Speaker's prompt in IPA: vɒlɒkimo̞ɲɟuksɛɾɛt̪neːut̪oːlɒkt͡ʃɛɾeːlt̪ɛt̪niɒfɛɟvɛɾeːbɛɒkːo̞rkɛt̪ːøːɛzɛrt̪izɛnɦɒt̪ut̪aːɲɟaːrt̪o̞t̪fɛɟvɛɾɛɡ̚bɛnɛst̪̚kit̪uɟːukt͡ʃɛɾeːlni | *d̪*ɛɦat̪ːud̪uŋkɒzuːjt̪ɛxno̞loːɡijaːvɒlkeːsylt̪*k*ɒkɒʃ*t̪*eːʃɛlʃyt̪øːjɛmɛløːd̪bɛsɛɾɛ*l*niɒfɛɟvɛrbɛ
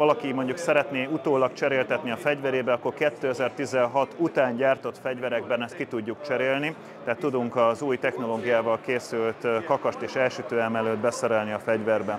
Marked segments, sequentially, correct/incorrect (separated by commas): incorrect, correct, correct, correct